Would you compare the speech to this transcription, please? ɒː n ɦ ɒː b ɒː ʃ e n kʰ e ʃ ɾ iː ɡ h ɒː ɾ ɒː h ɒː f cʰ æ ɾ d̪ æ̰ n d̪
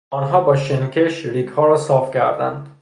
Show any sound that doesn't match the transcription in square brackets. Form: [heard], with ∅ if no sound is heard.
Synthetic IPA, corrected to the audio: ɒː n ɦ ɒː b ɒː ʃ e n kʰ e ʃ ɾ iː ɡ h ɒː ɾ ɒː [s] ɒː f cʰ æ ɾ d̪ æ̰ n d̪